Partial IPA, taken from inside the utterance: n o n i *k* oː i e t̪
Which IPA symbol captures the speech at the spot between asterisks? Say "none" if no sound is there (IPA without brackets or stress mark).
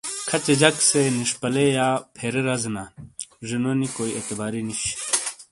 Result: k